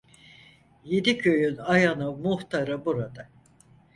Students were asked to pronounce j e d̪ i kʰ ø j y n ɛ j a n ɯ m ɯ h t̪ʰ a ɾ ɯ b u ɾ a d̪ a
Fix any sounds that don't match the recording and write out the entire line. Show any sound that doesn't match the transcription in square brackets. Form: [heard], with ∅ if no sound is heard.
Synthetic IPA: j e d̪ i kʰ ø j y n [a] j a n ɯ m [u] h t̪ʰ a ɾ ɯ b u ɾ a d̪ a